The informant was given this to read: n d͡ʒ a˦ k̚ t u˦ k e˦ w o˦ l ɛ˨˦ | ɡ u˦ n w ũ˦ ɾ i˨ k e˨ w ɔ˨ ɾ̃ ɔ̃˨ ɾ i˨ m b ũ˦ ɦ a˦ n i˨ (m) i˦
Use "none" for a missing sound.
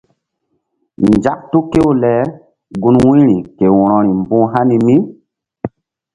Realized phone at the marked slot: m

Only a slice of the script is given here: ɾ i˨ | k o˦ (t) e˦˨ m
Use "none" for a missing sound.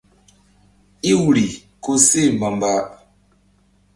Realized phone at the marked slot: s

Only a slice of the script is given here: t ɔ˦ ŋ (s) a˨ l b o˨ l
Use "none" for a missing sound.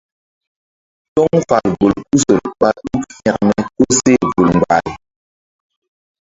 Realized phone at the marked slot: f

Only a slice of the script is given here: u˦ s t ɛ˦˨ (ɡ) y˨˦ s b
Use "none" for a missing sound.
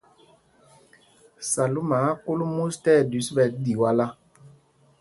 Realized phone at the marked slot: d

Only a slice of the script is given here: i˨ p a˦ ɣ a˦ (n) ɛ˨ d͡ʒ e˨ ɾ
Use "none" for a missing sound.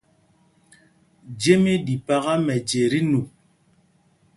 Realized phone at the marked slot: m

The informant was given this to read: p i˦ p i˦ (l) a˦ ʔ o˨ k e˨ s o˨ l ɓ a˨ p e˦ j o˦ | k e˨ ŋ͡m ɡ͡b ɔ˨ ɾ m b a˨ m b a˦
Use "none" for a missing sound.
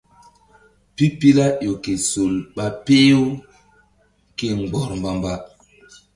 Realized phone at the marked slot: l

